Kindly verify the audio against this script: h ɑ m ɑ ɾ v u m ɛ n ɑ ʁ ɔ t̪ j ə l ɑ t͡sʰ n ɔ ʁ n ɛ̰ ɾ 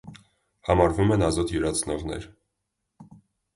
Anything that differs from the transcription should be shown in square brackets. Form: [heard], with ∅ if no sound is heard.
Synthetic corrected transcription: h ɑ m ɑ ɾ v u m ɛ n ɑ [z] ɔ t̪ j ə [ɾ] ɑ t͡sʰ n ɔ ʁ n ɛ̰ ɾ